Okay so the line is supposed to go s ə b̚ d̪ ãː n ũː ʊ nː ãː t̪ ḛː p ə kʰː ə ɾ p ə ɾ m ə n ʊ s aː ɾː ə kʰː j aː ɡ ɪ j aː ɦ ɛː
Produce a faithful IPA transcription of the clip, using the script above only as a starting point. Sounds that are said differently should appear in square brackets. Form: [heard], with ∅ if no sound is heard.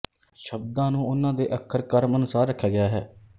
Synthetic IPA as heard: [ʃ] ə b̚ d̪ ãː n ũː ʊ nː ãː [d̪] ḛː [ʔ] ə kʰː ə ɾ [k] ə ɾ m ə n ʊ s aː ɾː ə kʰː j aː ɡ ɪ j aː ɦ ɛː